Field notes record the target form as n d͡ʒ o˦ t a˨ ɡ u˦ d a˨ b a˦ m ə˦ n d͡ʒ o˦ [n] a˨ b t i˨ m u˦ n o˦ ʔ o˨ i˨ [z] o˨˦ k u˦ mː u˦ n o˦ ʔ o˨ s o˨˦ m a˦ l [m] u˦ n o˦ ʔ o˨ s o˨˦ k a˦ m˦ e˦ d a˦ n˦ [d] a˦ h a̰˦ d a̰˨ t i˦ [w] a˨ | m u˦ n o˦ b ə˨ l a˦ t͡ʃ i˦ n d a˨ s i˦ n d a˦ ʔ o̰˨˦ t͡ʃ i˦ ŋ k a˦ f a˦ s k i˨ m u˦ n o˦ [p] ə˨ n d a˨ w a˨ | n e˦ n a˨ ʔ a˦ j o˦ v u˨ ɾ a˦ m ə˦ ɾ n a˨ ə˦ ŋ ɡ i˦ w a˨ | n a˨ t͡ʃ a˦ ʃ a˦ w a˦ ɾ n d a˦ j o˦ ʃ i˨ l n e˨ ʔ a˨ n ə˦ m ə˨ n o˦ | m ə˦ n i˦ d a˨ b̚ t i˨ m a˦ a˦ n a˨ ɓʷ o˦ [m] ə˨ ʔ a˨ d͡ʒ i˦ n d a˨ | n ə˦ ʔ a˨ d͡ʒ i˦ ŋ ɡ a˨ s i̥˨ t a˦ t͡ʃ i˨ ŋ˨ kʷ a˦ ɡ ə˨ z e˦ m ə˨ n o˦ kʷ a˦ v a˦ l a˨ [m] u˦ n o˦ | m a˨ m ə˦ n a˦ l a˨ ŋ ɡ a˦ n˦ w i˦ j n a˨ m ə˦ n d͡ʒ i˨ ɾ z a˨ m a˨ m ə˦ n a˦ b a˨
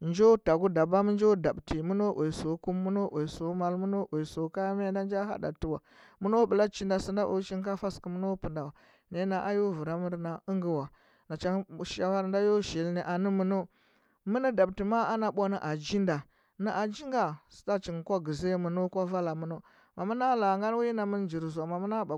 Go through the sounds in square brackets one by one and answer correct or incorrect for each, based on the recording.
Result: incorrect: d, incorrect: s, correct, incorrect: d͡ʒ, correct, correct, incorrect: n, correct

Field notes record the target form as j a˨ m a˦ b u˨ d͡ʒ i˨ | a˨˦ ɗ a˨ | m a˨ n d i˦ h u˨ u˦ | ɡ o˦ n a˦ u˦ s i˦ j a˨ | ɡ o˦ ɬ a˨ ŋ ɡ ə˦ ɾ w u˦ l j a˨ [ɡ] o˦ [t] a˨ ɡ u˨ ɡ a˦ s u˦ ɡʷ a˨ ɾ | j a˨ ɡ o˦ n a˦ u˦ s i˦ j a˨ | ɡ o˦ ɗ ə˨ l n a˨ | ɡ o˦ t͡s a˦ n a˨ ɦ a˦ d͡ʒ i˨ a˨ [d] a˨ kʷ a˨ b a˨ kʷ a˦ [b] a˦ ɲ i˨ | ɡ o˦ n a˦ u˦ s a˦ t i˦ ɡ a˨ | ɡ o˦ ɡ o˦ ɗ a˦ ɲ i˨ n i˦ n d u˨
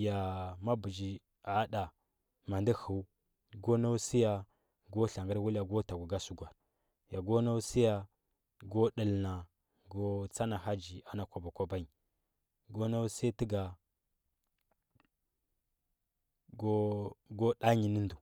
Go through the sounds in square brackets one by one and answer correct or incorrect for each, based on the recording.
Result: correct, correct, incorrect: n, correct

